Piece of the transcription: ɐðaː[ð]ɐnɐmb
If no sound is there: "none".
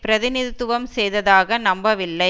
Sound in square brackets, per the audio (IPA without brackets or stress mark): ɣ